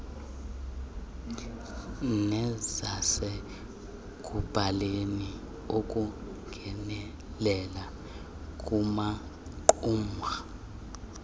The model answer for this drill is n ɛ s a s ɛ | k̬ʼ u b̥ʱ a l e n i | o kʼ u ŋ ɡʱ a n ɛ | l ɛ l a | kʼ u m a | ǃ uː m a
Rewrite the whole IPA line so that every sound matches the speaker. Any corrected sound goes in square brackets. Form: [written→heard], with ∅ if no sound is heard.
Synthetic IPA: n ɛ [s→z] a s ɛ | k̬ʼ u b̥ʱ a l e n i | o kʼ u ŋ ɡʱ [a→ɛ] n ɛ | l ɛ l a | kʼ u m a | ǃ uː m a